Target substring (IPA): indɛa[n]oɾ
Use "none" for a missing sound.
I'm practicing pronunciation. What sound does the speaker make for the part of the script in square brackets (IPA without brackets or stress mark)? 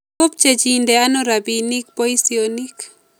n